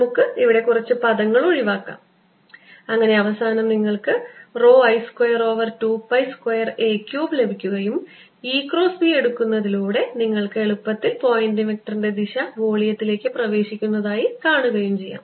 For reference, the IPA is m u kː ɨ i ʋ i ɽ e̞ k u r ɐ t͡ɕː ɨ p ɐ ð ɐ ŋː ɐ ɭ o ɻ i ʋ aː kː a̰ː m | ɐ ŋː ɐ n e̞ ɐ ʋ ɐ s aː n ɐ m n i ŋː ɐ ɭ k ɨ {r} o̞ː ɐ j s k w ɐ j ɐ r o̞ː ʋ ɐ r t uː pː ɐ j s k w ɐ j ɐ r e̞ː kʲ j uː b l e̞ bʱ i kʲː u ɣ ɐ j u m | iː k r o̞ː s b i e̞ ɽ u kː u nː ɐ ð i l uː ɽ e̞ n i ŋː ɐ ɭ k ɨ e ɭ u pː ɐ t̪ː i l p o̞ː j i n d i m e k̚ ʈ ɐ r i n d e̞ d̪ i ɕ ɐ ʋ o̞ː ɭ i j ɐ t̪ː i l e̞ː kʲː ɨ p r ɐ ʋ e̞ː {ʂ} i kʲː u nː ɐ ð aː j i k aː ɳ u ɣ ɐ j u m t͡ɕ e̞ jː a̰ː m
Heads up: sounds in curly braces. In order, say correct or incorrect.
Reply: correct, incorrect

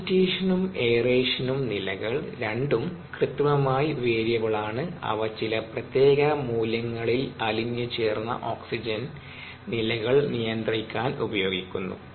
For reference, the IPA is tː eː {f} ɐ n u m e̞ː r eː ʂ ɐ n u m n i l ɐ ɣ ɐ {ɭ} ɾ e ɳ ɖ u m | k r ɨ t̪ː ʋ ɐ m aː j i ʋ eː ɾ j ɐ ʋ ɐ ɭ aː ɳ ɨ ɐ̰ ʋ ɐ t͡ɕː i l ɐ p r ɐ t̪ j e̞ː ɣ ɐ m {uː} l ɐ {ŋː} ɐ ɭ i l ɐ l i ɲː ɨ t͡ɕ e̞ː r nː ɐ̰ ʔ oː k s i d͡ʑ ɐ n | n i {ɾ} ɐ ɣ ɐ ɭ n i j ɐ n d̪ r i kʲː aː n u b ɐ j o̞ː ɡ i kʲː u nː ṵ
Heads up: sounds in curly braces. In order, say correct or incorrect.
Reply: incorrect, correct, correct, correct, incorrect

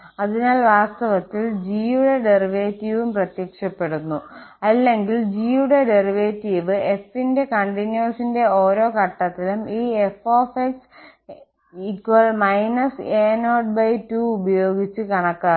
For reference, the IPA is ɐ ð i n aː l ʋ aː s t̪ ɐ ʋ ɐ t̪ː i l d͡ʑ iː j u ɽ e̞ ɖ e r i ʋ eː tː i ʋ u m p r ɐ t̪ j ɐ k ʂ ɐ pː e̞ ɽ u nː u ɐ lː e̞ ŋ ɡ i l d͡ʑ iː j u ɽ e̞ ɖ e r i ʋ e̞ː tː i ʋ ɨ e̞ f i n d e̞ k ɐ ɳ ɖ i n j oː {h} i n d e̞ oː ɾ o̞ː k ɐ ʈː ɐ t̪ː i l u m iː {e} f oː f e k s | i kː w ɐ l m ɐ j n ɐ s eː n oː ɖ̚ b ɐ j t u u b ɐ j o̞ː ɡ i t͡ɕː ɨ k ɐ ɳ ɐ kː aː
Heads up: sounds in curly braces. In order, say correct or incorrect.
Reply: incorrect, correct

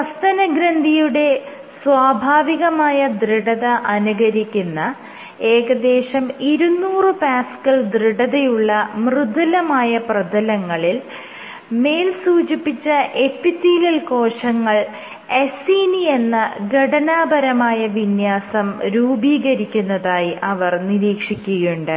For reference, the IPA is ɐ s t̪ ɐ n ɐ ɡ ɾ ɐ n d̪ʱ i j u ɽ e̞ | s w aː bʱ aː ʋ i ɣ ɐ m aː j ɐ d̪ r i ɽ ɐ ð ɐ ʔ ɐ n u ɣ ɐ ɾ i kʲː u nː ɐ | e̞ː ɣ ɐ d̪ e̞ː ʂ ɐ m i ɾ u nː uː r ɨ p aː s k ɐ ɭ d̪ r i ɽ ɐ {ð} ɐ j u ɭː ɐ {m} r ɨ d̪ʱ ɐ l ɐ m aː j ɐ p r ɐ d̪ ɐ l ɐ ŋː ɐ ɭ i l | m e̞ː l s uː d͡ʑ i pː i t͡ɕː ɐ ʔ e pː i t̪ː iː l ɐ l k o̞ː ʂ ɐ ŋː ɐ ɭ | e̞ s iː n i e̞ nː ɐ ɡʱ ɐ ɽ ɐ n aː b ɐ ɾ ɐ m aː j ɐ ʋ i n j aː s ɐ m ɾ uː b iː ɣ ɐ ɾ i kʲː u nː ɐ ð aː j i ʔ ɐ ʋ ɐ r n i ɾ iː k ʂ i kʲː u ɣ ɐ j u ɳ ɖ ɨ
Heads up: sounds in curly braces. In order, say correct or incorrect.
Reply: correct, correct

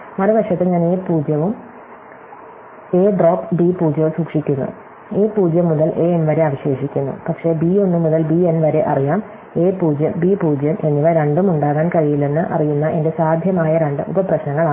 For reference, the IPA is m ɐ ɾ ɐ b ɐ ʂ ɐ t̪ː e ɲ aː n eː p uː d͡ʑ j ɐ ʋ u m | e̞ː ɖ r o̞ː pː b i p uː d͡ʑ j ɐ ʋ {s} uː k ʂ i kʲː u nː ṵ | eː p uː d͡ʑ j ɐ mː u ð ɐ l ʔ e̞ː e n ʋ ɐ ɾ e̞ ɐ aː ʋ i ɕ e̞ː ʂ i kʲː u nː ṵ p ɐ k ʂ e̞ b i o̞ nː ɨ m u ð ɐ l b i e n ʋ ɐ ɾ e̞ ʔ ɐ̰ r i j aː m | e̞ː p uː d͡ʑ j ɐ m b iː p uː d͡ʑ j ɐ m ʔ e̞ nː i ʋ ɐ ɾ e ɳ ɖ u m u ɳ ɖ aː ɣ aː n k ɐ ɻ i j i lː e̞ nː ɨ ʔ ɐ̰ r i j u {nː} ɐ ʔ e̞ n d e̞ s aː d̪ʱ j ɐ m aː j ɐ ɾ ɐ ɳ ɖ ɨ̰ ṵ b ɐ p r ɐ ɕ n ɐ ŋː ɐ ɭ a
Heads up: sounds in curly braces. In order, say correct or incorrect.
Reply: correct, correct

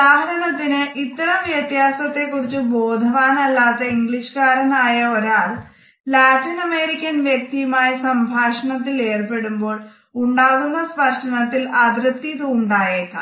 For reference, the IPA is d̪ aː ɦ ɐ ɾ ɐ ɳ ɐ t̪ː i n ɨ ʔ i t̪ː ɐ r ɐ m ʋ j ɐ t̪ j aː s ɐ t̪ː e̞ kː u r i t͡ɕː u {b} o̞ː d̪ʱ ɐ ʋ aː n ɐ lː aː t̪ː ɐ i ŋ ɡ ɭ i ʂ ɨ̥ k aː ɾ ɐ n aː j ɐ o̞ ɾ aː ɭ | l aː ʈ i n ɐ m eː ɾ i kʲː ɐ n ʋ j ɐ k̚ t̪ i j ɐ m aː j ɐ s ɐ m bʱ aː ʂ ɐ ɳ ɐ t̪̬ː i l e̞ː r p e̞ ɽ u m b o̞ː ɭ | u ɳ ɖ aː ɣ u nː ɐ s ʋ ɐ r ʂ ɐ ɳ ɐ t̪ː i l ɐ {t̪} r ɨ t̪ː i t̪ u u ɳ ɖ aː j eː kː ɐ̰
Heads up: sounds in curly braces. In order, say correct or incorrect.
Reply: correct, incorrect

